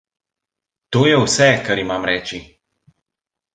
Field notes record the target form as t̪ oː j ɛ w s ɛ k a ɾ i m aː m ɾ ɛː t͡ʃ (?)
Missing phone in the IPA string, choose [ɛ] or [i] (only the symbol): i